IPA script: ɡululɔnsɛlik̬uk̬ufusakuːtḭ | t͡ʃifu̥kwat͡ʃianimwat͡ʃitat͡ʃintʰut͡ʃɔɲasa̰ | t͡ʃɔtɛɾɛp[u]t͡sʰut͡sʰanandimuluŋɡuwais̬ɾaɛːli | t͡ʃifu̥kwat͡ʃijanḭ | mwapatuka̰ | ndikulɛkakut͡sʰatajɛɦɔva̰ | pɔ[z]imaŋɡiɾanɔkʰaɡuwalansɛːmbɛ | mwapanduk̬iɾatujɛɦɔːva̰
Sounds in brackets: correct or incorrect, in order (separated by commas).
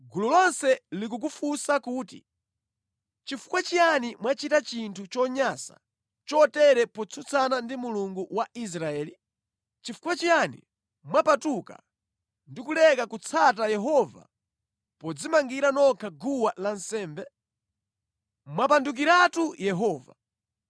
incorrect, incorrect